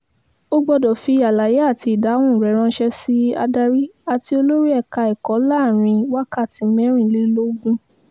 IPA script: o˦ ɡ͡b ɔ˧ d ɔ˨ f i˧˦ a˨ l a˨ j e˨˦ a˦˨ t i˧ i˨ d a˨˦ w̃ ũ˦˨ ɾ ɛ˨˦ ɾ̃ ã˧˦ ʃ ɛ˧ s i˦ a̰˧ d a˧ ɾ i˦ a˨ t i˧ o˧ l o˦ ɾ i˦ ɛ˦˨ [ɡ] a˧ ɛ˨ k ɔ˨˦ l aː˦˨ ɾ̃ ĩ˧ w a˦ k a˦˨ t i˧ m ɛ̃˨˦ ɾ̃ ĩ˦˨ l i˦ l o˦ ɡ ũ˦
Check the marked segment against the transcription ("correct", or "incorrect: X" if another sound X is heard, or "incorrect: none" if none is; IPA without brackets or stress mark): incorrect: k